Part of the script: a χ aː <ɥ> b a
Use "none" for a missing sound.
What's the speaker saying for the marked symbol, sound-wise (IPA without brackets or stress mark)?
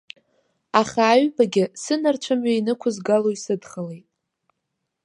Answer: ɥ